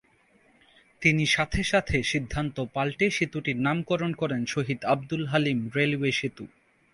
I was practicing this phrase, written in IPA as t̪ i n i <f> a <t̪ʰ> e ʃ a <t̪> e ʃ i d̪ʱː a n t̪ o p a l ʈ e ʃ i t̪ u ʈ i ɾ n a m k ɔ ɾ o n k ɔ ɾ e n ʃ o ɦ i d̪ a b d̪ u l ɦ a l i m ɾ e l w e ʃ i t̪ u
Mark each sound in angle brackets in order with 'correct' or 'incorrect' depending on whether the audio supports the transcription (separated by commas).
incorrect, correct, incorrect